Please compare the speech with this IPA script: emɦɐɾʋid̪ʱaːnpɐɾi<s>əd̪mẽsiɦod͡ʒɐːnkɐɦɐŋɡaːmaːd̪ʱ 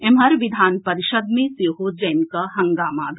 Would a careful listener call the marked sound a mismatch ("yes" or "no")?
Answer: yes